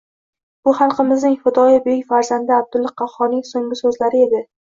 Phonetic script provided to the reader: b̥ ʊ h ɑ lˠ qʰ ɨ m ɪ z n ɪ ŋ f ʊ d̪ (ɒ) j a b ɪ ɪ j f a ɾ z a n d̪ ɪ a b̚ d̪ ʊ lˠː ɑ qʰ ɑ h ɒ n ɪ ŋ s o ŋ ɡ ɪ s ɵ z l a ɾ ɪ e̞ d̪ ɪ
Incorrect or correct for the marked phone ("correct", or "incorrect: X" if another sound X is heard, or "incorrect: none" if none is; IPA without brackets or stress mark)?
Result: correct